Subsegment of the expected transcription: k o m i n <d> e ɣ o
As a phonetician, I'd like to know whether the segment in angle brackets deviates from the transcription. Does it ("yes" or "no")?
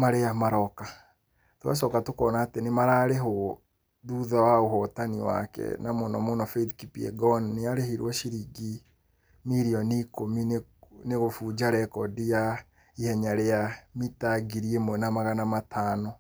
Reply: yes